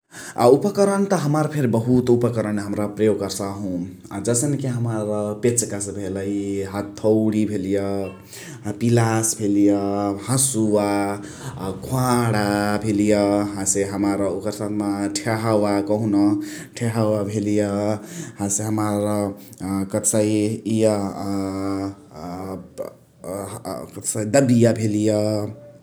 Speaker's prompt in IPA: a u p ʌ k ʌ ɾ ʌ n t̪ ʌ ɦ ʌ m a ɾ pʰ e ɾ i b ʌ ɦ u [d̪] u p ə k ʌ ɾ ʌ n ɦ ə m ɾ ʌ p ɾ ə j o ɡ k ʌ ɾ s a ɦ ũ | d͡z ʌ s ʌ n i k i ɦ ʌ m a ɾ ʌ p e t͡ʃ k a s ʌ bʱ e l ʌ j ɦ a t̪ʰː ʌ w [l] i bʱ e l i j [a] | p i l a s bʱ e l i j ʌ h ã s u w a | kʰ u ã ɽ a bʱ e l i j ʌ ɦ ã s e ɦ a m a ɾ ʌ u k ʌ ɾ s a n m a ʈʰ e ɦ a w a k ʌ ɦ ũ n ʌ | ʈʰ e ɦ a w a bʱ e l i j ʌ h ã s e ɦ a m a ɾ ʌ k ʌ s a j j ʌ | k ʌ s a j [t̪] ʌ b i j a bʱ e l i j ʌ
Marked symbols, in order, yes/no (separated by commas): no, no, no, no